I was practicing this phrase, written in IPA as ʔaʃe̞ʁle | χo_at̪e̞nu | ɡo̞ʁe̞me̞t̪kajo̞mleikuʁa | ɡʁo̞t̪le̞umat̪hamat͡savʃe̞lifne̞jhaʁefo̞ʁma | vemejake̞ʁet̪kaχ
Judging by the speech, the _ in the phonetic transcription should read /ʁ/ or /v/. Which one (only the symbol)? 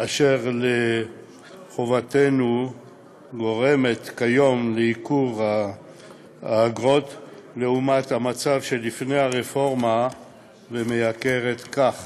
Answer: v